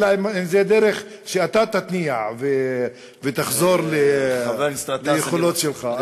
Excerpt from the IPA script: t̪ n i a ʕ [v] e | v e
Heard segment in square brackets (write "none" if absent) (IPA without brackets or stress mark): v